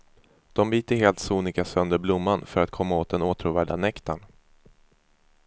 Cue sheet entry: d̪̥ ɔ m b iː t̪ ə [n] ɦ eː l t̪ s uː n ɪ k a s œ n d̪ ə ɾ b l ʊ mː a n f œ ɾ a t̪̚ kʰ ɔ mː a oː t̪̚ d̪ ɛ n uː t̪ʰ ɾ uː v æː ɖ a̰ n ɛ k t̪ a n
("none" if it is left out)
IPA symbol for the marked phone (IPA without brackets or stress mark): none